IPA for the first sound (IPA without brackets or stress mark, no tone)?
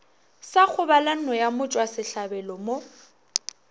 s